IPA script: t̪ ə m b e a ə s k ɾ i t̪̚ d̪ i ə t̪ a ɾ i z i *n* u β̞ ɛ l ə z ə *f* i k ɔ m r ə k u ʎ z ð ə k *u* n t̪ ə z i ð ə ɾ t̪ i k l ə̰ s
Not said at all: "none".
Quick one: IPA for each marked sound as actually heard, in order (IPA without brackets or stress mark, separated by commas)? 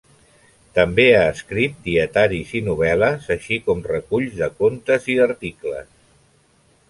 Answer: n, ʃ, o